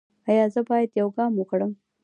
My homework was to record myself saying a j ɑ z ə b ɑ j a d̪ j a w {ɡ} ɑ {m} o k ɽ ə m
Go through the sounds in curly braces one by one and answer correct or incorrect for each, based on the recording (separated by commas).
correct, correct